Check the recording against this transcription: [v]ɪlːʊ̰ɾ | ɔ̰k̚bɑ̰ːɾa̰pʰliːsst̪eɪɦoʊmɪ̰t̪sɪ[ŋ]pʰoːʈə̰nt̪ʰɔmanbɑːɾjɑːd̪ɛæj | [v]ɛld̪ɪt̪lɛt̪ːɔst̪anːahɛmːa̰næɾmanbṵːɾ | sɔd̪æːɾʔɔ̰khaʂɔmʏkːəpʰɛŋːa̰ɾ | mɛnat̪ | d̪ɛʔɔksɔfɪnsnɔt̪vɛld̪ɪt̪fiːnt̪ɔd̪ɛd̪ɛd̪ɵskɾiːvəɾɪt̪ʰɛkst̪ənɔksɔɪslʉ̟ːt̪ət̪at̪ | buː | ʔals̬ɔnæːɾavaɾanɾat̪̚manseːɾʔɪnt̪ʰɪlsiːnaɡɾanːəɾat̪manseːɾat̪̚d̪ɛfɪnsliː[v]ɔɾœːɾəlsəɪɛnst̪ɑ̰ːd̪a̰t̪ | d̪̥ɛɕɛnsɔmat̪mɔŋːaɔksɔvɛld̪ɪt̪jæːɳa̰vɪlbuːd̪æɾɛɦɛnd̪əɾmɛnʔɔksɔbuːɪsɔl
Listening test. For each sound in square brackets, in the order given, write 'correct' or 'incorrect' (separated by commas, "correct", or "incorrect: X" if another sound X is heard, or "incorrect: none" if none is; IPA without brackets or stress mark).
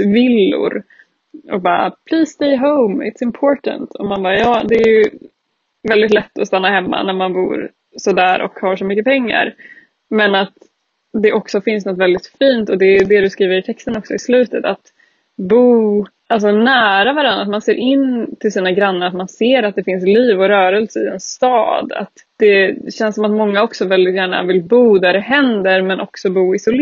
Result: correct, incorrect: m, correct, correct